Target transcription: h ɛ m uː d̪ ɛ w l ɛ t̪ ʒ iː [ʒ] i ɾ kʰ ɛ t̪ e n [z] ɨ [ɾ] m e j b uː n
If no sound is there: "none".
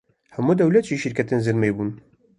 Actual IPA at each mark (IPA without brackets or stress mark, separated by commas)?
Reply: ʃ, z, ɾ